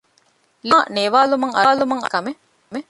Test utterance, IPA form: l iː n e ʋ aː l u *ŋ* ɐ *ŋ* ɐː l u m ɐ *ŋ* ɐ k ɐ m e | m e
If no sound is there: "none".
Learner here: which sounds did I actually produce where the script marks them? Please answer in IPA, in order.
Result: m, ŋ, ŋ

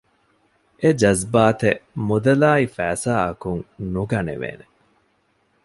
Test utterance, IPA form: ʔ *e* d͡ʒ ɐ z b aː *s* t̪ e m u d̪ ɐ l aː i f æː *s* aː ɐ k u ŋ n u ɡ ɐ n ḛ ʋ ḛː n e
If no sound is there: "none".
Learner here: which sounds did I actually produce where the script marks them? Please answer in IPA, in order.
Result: e, none, s

